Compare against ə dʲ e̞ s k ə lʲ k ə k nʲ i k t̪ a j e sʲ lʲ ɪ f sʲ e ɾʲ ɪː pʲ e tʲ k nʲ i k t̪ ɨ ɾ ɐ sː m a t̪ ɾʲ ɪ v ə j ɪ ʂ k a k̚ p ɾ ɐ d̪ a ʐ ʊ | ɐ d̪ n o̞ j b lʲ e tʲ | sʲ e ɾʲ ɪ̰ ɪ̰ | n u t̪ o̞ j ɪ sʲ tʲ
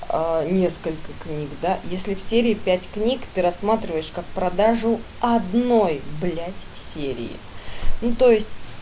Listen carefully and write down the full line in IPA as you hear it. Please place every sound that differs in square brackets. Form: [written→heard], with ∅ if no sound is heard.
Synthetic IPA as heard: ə [dʲ→nʲ] e̞ s k ə lʲ k ə k nʲ i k [t̪→d̪] a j e sʲ lʲ ɪ f sʲ e ɾʲ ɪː pʲ [e→æ] tʲ k nʲ i k t̪ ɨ ɾ ɐ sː m a t̪ ɾʲ ɪ v ə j ɪ ʂ k a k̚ p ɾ ɐ d̪ a ʐ ʊ | ɐ d̪ n o̞ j b lʲ [e→æ] tʲ | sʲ e ɾʲ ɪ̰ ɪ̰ | n u t̪ o̞ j ɪ sʲ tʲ